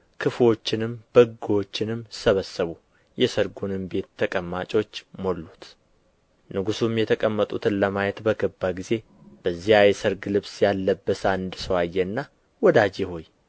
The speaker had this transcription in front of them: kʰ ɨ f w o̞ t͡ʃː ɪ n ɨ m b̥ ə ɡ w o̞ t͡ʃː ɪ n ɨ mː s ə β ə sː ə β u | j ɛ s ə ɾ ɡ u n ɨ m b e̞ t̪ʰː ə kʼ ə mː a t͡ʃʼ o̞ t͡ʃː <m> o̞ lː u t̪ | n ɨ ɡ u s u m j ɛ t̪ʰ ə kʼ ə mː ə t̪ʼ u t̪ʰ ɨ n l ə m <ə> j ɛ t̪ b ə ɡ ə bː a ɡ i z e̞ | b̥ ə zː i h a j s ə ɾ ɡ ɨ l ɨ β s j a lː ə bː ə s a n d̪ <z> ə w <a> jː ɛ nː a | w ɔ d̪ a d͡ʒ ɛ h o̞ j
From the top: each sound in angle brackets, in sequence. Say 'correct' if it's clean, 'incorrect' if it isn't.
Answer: correct, incorrect: a, incorrect: s, correct

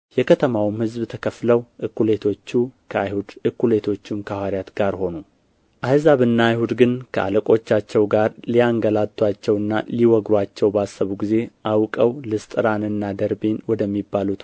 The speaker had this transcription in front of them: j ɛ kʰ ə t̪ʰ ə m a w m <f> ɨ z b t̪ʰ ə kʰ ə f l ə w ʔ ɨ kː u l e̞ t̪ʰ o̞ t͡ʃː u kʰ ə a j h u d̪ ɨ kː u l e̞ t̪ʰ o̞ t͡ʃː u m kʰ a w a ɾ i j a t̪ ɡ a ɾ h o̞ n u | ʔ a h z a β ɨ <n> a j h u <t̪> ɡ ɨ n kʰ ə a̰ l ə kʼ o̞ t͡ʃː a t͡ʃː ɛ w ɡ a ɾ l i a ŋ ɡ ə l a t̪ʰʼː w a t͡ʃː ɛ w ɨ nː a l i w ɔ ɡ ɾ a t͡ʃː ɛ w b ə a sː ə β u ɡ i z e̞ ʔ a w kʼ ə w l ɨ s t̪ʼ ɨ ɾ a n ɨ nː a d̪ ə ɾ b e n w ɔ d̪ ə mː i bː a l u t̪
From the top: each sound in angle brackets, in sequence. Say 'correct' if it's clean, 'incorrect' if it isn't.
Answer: incorrect: h, incorrect: nː, incorrect: d̪

